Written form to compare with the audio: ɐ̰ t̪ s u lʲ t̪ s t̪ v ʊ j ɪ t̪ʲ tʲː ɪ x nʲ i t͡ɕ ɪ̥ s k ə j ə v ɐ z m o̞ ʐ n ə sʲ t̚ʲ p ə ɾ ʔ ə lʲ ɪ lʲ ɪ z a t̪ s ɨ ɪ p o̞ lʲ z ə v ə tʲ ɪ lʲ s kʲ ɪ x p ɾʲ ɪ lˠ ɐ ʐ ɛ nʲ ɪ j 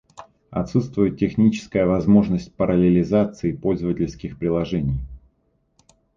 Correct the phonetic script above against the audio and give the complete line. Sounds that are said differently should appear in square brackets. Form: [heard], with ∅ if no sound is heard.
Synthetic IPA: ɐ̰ t̪ s u [∅] t̪ s t̪ v ʊ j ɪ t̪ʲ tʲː ɪ x nʲ i t͡ɕ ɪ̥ s k ə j ə v ɐ z m o̞ ʐ n ə sʲ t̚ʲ p ə ɾ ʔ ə lʲ ɪ lʲ ɪ z a t̪ s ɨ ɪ p o̞ lʲ z ə v ə tʲ ɪ lʲ s kʲ ɪ x p ɾʲ ɪ lˠ ɐ ʐ ɛ nʲ ɪ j

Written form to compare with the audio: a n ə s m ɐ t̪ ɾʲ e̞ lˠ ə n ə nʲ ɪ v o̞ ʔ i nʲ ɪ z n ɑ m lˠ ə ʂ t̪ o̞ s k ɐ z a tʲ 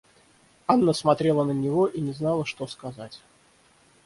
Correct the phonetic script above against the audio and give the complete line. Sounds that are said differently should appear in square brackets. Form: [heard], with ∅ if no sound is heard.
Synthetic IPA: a [nː] ə s m ɐ t̪ ɾʲ e̞ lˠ ə n ə nʲ ɪ v o̞ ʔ i nʲ ɪ z n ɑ [∅] lˠ ə ʂ t̪ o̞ s k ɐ z a tʲ

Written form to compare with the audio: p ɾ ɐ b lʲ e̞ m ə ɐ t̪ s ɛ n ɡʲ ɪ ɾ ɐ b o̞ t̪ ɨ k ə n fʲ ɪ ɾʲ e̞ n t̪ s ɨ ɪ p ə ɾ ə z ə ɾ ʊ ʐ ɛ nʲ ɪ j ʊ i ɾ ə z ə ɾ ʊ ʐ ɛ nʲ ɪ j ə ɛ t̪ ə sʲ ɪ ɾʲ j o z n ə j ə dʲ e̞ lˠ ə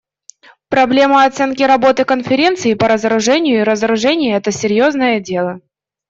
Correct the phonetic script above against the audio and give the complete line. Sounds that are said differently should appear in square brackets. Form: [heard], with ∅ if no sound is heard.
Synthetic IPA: p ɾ ɐ b lʲ e̞ m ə ɐ t̪ s ɛ n [kʲ] ɪ ɾ ɐ b o̞ t̪ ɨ k ə n fʲ ɪ ɾʲ e̞ n t̪ s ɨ ɪ p ə ɾ ə z ə ɾ ʊ ʐ ɛ nʲ ɪ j ʊ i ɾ ə z ə ɾ ʊ ʐ ɛ nʲ ɪ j ə ɛ t̪ ə sʲ ɪ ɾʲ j o z n ə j ə dʲ e̞ lˠ ə

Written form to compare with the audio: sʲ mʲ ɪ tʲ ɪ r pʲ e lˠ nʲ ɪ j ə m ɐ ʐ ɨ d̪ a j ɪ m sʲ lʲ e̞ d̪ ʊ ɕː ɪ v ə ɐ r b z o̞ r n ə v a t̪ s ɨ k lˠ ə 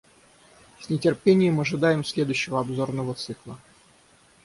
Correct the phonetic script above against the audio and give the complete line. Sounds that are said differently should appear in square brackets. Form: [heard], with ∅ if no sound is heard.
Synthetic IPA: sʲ [nʲ] ɪ tʲ ɪ r pʲ e [∅] nʲ ɪ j ə m ɐ ʐ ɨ d̪ a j ɪ m sʲ lʲ e̞ d̪ ʊ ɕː ɪ v ə ɐ [∅] b z o̞ r n ə v [ə] t̪ s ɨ k lˠ ə

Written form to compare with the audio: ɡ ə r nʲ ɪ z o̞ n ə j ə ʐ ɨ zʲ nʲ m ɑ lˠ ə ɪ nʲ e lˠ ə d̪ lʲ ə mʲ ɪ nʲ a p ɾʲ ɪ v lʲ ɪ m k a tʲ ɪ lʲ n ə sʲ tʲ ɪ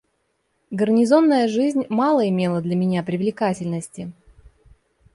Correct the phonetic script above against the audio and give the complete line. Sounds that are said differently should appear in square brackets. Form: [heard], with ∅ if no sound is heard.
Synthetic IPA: ɡ ə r nʲ ɪ z o̞ [nː] ə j ə ʐ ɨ zʲ nʲ m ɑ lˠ ə ɪ [mʲ] e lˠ ə d̪ lʲ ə mʲ ɪ nʲ a p ɾʲ ɪ v lʲ ɪ [∅] k a tʲ ɪ lʲ n ə sʲ tʲ ɪ

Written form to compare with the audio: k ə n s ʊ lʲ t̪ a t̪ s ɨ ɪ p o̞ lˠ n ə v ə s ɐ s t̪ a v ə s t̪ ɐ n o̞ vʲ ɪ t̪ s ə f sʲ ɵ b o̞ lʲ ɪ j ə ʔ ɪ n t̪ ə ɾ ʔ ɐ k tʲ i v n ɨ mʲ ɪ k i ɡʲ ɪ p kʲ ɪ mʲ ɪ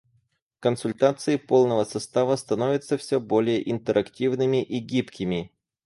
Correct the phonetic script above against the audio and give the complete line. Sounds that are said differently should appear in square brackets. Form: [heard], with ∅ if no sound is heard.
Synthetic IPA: k ə n s ʊ lʲ t̪ a t̪ s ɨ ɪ p o̞ lˠ n ə v ə s ɐ s t̪ a v ə s t̪ ɐ n o̞ vʲ ɪ t̪ s ə f sʲ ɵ b o̞ lʲ ɪ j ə ʔ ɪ n t̪ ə ɾ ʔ ɐ k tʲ i v n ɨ mʲ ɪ [ʔ] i ɡʲ [i] p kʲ ɪ mʲ ɪ

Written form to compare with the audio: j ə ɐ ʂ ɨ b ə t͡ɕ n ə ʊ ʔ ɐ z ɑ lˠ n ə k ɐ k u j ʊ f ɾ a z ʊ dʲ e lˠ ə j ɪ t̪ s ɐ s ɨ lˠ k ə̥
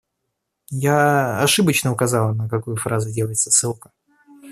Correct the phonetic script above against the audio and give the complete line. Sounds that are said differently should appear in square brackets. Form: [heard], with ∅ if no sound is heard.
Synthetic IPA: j [a] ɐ ʂ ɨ b ə t͡ɕ n ə ʊ [k] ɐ z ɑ lˠ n ə k ɐ k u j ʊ f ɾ a z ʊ dʲ e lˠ ə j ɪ t̪ s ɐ s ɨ lˠ k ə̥

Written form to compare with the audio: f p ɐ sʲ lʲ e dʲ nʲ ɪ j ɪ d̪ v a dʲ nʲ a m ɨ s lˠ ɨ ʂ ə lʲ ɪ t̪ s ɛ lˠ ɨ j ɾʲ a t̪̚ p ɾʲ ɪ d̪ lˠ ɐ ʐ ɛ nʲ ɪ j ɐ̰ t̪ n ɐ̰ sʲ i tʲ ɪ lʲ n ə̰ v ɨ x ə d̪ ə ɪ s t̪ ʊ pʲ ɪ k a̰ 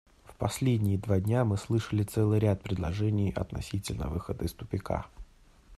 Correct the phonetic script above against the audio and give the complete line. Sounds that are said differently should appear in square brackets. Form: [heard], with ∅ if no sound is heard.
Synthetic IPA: f p ɐ sʲ lʲ e dʲ nʲ ɪ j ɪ d̪ v a dʲ nʲ a m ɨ s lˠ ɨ ʂ ə lʲ ɪ t̪ s ɛ lˠ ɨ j ɾʲ a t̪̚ p ɾʲ ɪ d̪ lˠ ɐ ʐ ɛ nʲ ɪ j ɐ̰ t̪ n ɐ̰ sʲ i tʲ ɪ lʲ n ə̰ v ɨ x ə d̪ ə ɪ s t̪ ʊ pʲ ɪ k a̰

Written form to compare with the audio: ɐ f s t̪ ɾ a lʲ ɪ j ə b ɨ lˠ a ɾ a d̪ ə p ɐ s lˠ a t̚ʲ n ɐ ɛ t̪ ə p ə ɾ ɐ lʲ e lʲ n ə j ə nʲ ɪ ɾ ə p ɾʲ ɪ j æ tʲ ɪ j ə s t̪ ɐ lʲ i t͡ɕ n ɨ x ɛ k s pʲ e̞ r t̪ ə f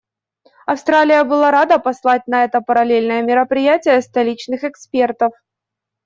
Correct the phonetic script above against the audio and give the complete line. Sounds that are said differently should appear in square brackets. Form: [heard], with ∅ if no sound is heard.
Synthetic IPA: ɐ f s t̪ ɾ a lʲ ɪ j ə b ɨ lˠ a ɾ a d̪ ə p ɐ s lˠ a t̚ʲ n ɐ ɛ t̪ ə p ə ɾ ɐ lʲ e lʲ n ə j ə [mʲ] ɪ ɾ ə p ɾʲ ɪ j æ tʲ ɪ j ə s t̪ ɐ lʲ i t͡ɕ n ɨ x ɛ k s pʲ e̞ r t̪ ə f

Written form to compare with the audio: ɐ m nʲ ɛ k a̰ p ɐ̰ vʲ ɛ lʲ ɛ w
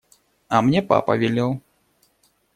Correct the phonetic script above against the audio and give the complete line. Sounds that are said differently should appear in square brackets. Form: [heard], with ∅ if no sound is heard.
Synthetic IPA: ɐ m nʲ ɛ [p] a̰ p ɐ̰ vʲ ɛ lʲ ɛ w

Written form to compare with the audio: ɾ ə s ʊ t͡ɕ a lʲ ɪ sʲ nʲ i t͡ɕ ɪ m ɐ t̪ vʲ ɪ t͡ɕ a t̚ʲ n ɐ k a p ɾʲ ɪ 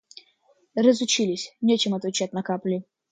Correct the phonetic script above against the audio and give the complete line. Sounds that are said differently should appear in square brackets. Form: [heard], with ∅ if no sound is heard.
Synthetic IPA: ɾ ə [z] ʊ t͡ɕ [i] lʲ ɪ sʲ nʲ [e] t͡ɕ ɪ m ɐ t̪ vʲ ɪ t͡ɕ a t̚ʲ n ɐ k a p [lʲ] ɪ

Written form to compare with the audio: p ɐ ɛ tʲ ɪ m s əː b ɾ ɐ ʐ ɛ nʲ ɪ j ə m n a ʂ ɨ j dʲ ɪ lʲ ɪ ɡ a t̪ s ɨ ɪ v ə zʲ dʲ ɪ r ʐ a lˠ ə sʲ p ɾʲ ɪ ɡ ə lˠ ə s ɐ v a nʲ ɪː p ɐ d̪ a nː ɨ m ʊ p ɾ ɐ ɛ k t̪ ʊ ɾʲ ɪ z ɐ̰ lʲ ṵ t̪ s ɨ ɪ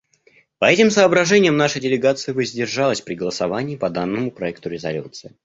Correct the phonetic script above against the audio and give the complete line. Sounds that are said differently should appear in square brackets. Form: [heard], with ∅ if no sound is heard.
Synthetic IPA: p ɐ ɛ tʲ ɪ m s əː b ɾ ɐ ʐ ɛ nʲ ɪ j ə m n a ʂ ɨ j dʲ ɪ lʲ ɪ ɡ a t̪ s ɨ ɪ v ə zʲ dʲ ɪ r ʐ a lˠ ə sʲ p ɾʲ ɪ ɡ ə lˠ ə s ɐ v a nʲ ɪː p ɐ d̪ a nː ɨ m ʊ p ɾ ɐ ɛ k t̪ ʊ ɾʲ ɪ z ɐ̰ lʲ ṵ t̪ s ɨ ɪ

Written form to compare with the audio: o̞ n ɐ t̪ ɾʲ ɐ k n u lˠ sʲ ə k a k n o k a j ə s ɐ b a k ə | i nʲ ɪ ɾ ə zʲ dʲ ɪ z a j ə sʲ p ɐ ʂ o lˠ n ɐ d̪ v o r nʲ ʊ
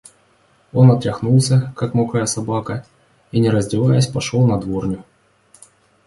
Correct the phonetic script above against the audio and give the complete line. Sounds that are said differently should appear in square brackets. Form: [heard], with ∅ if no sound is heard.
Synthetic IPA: o̞ n ɐ t̪ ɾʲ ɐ [x] n u lˠ sʲ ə k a k [m] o k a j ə s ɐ b a k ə | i nʲ ɪ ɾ ə zʲ dʲ ɪ [v] a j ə sʲ p ɐ ʂ o lˠ n ɐ d̪ v o r nʲ ʊ

